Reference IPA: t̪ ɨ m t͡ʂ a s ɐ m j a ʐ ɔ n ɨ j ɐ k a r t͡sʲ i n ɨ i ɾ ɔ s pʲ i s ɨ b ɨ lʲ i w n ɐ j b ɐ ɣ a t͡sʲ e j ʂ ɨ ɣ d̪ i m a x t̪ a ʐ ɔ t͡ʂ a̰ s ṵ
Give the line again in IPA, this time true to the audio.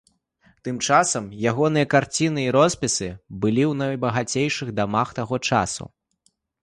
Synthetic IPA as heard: t̪ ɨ m t͡ʂ a s ɐ m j a ɣ ɔ n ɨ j ɐ k a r t͡sʲ i n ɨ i ɾ ɔ s pʲ i s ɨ b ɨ lʲ i w n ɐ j b ɐ ɣ a t͡sʲ e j ʂ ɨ ɣ d̪ a m a x t̪ a ɣ ɔ t͡ʂ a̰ s ṵ